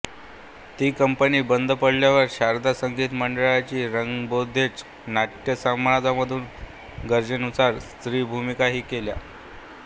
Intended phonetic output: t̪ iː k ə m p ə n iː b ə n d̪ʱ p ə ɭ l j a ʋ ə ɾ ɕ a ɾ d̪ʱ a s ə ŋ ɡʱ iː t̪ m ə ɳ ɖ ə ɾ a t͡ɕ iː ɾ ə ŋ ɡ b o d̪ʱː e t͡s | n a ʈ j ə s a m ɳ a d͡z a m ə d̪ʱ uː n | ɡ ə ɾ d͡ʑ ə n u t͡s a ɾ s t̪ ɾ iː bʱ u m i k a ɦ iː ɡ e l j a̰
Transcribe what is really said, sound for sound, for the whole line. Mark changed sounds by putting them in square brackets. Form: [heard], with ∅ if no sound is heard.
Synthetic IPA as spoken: t̪ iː k ə m p ə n iː b ə n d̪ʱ p ə [ɽ] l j a ʋ ə ɾ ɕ a ɾ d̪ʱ a s ə ŋ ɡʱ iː t̪ m ə ɳ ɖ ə [ɭ] a t͡ɕ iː ɾ ə ŋ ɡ b o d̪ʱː e t͡s | n a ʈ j ə s a m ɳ a d͡z a m ə d̪ʱ uː n | ɡ ə ɾ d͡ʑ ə n u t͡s a ɾ s t̪ ɾ iː bʱ u m i k a ɦ iː [k] e l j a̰